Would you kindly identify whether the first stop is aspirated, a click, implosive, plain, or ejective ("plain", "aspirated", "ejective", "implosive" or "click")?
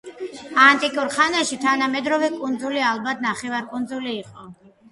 ejective